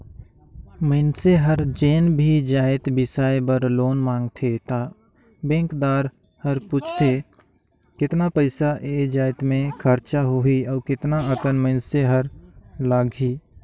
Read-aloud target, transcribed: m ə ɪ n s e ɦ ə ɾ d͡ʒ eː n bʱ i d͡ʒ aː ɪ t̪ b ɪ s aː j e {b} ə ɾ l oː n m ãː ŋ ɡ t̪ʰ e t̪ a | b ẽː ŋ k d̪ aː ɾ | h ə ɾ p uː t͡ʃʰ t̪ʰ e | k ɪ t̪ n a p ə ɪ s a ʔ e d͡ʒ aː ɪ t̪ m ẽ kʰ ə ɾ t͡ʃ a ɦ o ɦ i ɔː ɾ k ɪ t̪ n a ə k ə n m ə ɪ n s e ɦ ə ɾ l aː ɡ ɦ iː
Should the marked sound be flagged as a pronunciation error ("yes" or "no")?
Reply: no